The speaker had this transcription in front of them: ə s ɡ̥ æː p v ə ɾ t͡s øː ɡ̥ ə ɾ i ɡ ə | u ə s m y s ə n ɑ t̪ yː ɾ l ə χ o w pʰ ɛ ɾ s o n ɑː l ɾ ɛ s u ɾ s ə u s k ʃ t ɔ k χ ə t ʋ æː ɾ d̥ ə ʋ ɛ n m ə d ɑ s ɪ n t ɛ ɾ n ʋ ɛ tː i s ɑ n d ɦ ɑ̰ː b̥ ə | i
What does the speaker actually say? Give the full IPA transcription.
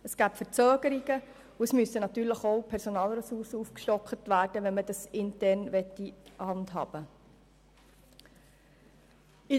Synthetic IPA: ə s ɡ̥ æː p f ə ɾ t͡s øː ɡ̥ ə ɾ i ɡ ə | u ə s m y s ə n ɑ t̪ yː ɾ l ə χ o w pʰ ɛ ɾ s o n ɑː l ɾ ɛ s u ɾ s ə u f k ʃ t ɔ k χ ə t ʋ æː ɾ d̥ ə ʋ ɛ n m ə d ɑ s ɪ n t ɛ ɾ n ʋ ɛ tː i h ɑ n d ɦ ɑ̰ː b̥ ə | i